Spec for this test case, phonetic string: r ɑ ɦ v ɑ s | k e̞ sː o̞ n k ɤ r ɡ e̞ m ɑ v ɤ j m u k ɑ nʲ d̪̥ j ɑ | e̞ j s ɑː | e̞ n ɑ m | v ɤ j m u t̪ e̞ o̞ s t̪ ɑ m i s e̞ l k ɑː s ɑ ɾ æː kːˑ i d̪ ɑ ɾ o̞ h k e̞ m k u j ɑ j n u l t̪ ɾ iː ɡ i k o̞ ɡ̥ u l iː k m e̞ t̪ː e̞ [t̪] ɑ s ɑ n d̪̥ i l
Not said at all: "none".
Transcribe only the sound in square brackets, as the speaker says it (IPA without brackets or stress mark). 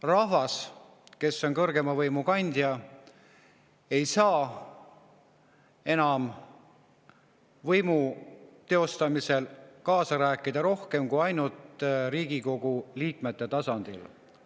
t̪